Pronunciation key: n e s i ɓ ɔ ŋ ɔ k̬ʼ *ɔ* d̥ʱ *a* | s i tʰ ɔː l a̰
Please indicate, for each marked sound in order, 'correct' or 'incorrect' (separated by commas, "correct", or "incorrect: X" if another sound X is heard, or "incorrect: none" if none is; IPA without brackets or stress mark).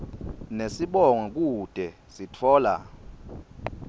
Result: incorrect: u, incorrect: ɛ